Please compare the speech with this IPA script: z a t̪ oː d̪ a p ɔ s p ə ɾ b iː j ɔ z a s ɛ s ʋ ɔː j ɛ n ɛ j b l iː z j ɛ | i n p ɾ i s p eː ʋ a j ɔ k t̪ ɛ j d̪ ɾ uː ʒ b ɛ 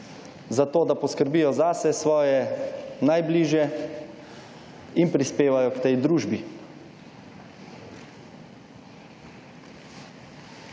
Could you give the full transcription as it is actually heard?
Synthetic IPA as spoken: z a t̪ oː d̪ a p ɔ s k ə ɾ b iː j ɔ z a s ɛ s ʋ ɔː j ɛ n a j b l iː ʒ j ɛ | i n p ɾ i s p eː ʋ a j ɔ k t̪ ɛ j d̪ ɾ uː ʒ b i